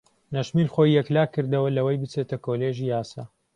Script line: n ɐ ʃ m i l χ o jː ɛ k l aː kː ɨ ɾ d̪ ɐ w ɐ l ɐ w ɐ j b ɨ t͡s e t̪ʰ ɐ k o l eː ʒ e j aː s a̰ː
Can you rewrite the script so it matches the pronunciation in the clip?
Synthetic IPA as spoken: n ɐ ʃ m i l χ o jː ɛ k l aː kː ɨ ɾ d̪ ɐ w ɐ l ɐ w ɐ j b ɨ t͡s e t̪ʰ ɐ k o l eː ʒ i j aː s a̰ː